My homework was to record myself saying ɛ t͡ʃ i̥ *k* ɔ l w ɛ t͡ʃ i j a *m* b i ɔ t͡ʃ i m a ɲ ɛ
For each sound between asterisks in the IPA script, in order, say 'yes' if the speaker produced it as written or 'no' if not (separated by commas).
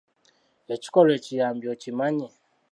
yes, yes